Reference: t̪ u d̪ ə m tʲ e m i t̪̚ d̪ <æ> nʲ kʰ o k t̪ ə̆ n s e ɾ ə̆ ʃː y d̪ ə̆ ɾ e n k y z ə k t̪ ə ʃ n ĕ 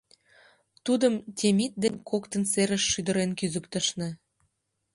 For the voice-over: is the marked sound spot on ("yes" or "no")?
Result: no